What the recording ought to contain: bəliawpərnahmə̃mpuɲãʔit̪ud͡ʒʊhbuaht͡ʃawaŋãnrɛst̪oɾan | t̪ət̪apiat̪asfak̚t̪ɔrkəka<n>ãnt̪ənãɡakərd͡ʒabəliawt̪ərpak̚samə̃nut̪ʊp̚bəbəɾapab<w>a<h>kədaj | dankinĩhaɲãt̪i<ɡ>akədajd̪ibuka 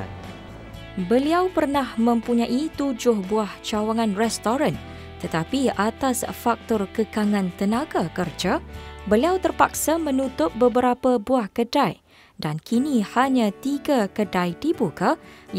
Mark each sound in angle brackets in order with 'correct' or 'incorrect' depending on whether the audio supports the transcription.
incorrect, incorrect, correct, correct

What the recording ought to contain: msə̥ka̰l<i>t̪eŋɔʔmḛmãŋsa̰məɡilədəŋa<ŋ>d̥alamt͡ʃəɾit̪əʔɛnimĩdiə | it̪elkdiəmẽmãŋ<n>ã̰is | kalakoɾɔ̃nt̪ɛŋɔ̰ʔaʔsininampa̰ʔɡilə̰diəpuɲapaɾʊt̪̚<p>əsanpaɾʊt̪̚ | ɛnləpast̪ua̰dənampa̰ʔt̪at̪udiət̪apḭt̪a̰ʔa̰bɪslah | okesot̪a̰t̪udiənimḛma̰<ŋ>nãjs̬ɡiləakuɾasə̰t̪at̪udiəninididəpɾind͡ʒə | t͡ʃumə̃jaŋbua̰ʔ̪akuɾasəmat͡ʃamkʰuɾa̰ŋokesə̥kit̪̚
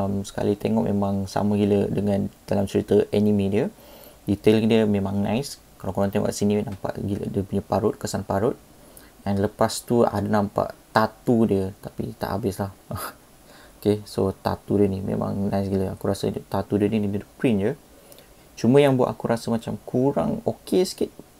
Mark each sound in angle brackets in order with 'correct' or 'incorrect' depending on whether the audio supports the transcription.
correct, incorrect, correct, incorrect, correct

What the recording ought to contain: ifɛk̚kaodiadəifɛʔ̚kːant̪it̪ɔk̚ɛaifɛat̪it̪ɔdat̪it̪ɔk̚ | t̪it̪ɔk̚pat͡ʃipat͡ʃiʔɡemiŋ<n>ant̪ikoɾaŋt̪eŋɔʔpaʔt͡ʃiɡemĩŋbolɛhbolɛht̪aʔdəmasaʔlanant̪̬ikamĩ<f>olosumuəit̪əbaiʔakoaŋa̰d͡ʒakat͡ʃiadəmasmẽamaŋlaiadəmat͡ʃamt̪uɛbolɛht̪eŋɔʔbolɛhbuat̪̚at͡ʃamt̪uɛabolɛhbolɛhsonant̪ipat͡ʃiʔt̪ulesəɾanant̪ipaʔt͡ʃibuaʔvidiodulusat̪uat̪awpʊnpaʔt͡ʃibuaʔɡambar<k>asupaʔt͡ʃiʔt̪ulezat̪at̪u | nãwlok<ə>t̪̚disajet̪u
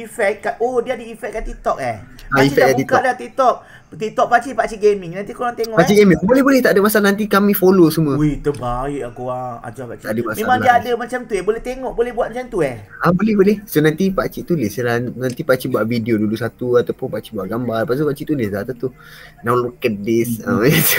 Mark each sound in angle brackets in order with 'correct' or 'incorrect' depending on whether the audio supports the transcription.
correct, correct, incorrect, correct

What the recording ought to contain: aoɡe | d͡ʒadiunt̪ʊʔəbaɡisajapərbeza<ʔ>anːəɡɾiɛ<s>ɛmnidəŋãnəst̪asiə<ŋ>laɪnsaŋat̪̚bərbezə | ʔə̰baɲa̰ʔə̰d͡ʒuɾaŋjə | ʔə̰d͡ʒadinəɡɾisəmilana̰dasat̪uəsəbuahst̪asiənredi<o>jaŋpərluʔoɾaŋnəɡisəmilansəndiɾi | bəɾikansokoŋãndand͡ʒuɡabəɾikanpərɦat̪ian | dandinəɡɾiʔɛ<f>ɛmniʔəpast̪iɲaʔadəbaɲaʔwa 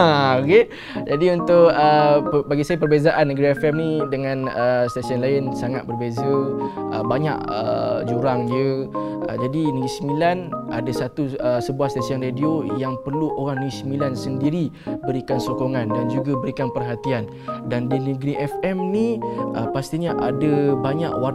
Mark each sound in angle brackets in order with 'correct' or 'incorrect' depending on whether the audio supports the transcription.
correct, incorrect, incorrect, correct, correct

